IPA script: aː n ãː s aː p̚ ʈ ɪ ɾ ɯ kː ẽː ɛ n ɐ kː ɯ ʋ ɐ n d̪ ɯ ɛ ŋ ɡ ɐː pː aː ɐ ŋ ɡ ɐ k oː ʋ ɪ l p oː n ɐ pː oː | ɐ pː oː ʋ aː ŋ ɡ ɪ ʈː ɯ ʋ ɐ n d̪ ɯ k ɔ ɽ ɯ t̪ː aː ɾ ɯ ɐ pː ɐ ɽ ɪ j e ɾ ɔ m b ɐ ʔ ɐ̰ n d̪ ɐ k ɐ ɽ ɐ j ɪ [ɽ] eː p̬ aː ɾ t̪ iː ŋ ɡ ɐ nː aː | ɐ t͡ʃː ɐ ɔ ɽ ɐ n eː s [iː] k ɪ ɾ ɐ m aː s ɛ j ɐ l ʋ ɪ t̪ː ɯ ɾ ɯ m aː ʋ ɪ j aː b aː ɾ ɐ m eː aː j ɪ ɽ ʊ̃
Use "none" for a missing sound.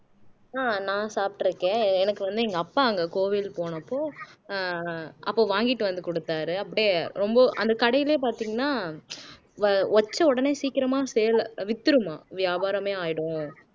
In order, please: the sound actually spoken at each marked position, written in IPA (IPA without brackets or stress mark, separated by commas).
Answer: l, iː